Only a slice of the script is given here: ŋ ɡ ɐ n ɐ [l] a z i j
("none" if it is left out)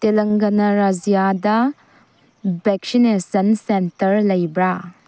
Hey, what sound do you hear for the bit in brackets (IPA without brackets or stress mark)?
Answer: ɾ